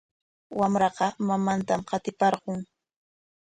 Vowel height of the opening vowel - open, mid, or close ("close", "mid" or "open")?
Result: open